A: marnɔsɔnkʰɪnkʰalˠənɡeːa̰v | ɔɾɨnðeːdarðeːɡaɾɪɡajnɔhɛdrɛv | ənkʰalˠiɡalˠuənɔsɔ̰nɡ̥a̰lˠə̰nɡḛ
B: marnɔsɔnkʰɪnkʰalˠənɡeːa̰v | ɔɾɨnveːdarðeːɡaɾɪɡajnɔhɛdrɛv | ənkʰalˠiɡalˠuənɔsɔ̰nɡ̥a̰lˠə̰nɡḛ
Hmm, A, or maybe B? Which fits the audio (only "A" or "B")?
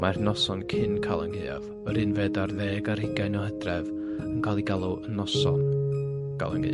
B